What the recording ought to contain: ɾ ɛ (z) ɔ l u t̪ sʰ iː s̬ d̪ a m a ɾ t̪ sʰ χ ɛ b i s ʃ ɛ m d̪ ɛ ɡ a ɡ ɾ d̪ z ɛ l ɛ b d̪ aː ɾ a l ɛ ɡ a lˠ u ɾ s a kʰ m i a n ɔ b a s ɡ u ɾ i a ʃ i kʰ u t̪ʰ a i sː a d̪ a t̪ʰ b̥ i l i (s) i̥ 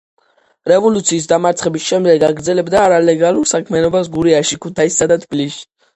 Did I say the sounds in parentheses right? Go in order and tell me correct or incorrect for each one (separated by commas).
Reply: incorrect, incorrect